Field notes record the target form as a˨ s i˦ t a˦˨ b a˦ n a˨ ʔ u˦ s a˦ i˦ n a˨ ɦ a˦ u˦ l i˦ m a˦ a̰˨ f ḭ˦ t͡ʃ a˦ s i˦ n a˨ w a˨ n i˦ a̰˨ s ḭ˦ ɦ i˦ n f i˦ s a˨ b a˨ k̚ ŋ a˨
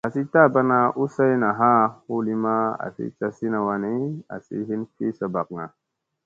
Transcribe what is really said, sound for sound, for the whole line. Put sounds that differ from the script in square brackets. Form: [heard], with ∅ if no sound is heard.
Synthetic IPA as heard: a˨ s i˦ t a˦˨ b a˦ n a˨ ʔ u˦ s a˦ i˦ n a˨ ɦ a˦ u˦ l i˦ m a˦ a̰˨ [s] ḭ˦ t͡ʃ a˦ s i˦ n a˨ w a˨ n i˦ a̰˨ s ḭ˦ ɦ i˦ n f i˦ s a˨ b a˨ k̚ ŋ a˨